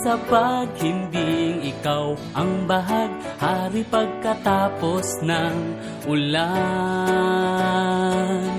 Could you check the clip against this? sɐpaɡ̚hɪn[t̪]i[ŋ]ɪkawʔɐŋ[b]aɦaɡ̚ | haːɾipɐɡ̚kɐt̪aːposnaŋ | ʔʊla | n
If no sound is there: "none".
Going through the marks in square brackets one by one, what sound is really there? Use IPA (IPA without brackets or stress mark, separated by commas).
d̪, ŋ, b